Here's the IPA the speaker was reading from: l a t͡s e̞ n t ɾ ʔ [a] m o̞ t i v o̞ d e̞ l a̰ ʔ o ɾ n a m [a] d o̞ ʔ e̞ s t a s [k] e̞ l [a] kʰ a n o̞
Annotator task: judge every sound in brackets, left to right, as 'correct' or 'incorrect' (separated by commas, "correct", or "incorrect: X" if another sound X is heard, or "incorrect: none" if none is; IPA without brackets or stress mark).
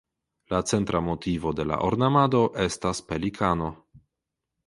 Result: correct, correct, incorrect: p, incorrect: i